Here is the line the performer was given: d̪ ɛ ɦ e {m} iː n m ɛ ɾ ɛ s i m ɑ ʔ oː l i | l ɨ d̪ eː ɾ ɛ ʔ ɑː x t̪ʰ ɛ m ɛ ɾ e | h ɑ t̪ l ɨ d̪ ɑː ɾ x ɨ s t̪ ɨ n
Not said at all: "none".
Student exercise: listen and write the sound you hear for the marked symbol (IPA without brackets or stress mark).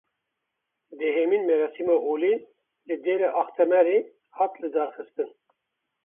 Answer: m